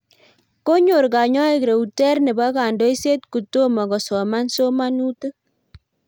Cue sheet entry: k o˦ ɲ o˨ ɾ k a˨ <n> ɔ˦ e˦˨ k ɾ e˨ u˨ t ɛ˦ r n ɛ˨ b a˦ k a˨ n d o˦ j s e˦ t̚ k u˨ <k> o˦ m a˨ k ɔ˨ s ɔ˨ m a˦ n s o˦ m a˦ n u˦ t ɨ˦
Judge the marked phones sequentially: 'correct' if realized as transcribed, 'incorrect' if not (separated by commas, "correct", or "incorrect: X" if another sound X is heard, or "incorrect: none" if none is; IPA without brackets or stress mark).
incorrect: ɲ, incorrect: t